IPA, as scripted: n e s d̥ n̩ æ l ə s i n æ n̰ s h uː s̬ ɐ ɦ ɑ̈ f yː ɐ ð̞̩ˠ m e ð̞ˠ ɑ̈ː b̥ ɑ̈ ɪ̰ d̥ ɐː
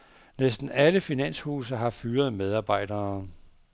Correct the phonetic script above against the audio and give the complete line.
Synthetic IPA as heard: n e s d̥ n̩ æ l ə f i n æ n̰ s h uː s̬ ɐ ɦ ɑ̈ f yː ɐ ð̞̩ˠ m e ð̞ˠ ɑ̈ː b̥ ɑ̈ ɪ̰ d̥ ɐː